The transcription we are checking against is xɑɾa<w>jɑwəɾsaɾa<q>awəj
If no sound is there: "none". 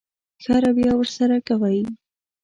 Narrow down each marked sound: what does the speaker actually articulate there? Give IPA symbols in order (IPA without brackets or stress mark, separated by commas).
b, k